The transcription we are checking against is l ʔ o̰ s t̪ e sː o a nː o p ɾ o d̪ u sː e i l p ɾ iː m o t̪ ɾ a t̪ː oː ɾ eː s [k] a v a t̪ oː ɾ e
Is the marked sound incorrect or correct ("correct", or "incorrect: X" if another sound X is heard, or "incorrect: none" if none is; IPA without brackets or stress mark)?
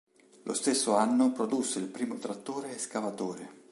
correct